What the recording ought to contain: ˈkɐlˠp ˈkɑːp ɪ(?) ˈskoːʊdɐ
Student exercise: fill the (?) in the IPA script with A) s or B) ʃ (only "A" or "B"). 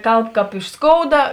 B